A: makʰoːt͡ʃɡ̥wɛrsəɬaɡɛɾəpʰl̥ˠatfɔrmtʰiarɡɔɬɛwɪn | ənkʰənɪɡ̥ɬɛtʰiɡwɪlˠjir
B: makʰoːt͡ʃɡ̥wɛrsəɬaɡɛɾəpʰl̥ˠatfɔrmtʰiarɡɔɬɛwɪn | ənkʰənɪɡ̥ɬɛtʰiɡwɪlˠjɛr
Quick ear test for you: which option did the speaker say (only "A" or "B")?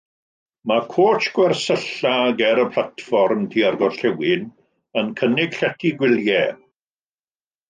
B